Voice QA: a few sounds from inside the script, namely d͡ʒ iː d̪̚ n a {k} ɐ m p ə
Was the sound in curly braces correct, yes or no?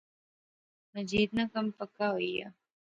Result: yes